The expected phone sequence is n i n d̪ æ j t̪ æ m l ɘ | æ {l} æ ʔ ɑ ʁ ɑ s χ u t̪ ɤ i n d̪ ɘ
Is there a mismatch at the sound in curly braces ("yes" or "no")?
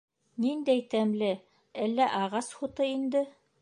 yes